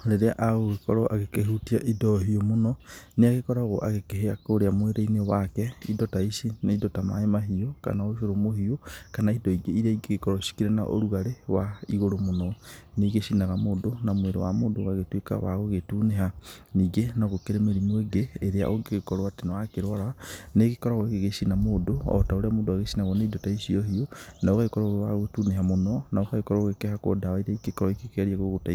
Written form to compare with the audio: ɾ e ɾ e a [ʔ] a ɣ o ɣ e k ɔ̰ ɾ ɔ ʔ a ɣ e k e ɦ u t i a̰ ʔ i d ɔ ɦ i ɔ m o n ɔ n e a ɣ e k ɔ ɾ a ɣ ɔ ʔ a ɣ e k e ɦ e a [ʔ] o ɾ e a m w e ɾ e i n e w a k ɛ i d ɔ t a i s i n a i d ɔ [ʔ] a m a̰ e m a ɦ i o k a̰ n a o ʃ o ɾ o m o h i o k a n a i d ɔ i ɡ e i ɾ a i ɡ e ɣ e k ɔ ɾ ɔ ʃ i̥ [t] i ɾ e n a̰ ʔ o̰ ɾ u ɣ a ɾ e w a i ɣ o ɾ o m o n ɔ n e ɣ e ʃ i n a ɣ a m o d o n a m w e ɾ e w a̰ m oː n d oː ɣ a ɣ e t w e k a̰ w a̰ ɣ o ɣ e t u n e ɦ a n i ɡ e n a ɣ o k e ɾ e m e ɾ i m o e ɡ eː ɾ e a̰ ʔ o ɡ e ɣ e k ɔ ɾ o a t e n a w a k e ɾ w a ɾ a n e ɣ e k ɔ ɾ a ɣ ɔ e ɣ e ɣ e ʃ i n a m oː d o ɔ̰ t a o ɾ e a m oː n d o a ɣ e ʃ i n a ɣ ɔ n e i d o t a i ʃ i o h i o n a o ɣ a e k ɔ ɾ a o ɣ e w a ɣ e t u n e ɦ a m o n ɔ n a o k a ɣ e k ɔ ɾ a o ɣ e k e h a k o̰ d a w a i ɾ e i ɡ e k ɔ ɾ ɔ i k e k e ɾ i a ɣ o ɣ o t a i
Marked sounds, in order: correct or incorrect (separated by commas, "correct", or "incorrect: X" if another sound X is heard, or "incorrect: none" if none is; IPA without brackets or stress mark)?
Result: correct, incorrect: k, incorrect: t, incorrect: k